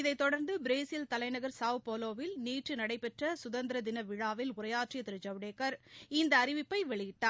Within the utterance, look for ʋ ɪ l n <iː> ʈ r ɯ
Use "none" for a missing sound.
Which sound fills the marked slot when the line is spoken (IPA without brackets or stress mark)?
iː